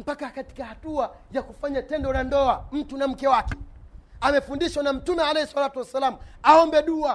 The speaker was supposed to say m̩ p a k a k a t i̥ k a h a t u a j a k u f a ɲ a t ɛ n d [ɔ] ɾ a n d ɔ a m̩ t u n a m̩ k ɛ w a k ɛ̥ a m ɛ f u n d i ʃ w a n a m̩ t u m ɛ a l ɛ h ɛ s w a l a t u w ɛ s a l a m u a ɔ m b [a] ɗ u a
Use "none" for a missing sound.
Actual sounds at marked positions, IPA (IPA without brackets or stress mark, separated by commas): ɔ, ɛ